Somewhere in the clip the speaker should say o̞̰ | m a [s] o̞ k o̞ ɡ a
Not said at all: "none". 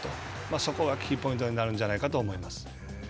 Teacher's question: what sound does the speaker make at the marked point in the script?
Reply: s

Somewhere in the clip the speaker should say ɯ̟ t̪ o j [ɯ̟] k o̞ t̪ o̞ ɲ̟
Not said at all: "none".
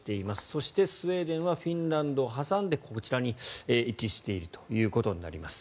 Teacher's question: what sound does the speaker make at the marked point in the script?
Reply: ɯ̟ː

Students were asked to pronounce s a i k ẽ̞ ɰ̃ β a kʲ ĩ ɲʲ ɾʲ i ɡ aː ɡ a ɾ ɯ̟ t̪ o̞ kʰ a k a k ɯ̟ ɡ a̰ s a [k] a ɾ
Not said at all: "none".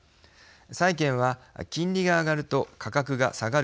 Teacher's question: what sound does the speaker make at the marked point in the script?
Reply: ɡ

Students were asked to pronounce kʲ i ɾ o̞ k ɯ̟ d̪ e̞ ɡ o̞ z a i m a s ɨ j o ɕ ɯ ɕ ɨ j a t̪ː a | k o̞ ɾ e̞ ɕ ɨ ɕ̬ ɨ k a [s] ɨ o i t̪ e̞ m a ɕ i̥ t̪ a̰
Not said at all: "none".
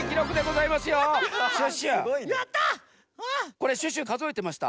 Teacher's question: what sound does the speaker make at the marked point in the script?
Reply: z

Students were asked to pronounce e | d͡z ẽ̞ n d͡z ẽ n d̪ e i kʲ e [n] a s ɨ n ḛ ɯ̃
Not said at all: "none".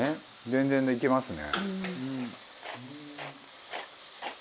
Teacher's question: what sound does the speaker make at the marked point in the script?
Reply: m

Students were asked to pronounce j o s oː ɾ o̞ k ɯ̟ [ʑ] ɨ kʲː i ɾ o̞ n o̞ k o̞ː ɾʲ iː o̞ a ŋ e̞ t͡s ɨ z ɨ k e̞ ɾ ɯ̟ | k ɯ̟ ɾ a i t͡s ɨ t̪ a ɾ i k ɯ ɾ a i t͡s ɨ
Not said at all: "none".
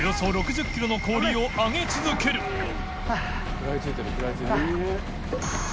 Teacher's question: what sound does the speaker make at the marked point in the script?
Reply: ʑ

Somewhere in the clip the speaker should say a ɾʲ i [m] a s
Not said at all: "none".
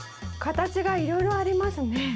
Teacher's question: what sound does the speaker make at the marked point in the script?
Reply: m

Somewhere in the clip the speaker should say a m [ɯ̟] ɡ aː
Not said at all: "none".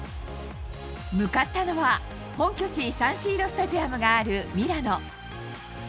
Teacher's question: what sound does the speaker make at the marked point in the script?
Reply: ɯ̟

